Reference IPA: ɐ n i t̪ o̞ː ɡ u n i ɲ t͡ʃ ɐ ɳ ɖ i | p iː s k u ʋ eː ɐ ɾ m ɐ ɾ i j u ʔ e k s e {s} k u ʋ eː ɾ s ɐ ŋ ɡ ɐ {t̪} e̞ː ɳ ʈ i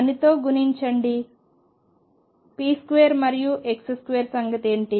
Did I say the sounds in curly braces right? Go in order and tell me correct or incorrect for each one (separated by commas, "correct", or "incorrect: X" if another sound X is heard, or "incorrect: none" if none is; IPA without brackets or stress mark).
correct, correct